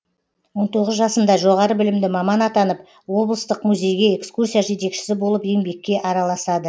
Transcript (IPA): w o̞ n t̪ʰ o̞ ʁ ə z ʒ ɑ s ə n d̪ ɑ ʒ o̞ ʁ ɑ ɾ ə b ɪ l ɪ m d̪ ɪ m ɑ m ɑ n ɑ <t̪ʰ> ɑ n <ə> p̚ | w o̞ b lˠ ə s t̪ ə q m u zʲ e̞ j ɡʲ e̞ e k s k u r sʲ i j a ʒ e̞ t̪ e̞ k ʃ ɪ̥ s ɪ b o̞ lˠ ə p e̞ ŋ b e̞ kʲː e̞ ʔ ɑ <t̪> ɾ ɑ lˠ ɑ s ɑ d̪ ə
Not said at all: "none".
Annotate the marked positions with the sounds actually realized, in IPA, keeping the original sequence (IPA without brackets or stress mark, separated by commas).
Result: t̪, ə, none